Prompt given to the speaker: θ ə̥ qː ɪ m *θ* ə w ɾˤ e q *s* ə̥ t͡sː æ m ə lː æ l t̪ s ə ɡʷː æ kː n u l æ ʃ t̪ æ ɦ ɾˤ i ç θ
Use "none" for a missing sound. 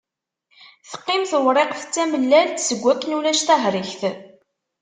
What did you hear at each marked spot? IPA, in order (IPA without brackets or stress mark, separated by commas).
θ, θ